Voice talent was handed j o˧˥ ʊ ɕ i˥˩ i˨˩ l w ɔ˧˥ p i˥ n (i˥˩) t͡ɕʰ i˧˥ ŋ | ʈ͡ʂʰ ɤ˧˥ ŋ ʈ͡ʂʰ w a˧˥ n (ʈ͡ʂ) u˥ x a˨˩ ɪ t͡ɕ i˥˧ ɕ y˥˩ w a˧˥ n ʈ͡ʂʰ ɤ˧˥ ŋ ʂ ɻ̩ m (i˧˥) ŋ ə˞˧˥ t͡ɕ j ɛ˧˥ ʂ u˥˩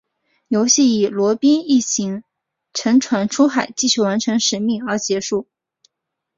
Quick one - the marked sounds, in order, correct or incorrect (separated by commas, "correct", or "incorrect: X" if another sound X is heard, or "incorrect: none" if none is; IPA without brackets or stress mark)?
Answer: correct, incorrect: ʈ͡ʂʰ, incorrect: i˥˩